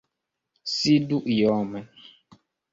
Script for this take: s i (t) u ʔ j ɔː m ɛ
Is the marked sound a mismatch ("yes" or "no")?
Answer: yes